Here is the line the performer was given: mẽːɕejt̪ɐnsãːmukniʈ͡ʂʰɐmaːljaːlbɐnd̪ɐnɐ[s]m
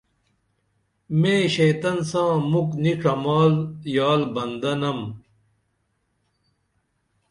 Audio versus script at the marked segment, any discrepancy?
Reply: yes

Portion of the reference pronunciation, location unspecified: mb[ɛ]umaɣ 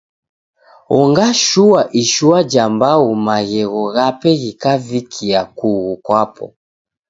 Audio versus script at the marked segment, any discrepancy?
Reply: yes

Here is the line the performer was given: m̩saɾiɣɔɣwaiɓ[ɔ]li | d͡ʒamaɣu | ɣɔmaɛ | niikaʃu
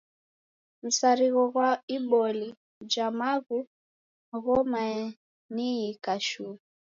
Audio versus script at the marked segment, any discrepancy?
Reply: no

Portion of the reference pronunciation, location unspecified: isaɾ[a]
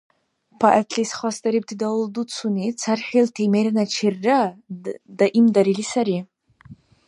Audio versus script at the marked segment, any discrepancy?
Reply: yes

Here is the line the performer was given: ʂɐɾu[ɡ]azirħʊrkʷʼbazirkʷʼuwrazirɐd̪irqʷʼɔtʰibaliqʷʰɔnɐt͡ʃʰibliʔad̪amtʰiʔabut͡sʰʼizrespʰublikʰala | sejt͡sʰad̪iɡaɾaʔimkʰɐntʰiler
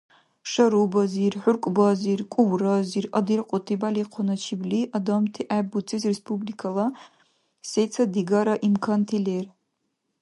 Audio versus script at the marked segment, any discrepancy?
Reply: yes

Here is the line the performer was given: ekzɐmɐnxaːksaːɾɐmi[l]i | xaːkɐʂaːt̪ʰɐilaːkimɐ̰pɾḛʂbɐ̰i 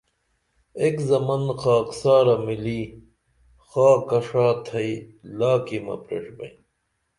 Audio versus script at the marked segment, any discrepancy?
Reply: no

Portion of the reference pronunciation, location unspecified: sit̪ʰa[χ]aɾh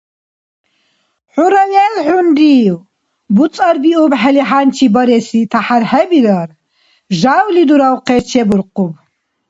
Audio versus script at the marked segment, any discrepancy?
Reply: yes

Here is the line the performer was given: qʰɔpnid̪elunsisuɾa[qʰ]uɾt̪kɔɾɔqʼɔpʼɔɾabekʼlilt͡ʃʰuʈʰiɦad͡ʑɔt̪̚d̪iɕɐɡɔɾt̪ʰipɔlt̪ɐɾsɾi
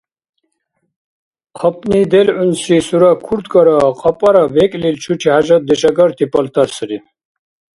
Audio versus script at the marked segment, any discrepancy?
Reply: yes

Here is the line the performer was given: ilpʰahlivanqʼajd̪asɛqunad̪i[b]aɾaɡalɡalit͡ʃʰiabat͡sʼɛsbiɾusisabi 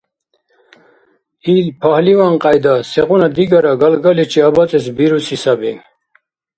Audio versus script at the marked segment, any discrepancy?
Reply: yes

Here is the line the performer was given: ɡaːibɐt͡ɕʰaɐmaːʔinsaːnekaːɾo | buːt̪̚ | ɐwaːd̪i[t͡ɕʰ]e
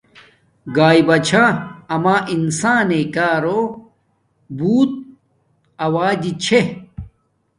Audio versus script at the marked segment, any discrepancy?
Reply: no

